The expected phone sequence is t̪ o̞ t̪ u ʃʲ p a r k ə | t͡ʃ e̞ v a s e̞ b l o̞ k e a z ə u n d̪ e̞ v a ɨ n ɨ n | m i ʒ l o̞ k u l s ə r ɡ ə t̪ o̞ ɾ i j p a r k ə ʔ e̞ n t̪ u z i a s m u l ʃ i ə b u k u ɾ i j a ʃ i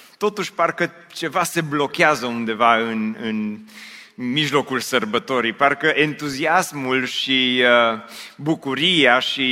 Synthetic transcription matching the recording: t̪ o̞ t̪ u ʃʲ p a r k ə | t͡ʃ e̞ v a s e̞ b l o̞ k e a z ə u n d̪ e̞ v a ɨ n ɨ n | m i ʒ l o̞ k u l s ə r b ə t̪ o̞ ɾ i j p a r k ə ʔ e̞ n t̪ u z i a s m u l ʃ i ə b u k u ɾ i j a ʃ i